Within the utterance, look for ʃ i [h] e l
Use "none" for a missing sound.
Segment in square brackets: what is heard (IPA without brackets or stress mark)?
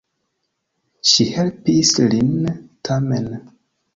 h